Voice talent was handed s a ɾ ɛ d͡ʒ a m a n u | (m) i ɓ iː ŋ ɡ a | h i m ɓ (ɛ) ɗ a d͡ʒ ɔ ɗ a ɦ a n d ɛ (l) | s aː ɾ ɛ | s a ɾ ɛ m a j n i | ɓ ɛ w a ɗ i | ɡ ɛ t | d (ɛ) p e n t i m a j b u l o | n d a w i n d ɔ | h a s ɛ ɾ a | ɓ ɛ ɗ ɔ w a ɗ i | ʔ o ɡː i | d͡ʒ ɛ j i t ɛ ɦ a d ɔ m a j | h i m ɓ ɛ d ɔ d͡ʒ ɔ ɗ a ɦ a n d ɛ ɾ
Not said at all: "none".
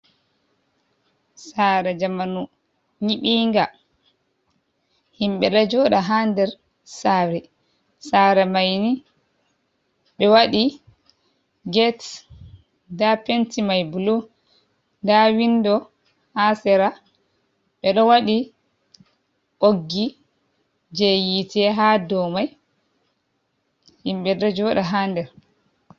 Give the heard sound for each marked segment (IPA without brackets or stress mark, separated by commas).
ɲ, ɛ, ɾ, a